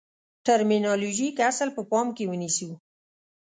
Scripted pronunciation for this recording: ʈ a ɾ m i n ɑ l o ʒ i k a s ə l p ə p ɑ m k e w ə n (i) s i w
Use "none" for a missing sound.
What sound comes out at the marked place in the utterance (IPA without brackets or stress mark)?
i